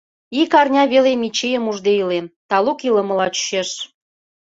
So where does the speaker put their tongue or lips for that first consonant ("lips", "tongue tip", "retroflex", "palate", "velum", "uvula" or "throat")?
velum